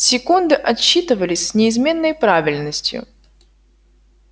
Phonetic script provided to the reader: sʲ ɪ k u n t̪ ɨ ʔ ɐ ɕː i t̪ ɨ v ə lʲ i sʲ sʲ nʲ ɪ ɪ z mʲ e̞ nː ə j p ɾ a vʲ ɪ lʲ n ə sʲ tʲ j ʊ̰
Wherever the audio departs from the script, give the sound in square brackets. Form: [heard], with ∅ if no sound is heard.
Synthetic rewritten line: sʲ ɪ k u n [d̪] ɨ ʔ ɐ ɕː i t̪ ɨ v ə lʲ [ɪ] sʲ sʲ nʲ ɪ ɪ z mʲ e̞ nː ə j p ɾ a vʲ ɪ lʲ n ə sʲ tʲ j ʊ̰